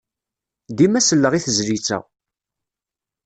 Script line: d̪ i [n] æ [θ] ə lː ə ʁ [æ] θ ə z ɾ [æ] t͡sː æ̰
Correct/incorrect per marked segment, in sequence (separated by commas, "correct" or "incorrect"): incorrect, incorrect, incorrect, incorrect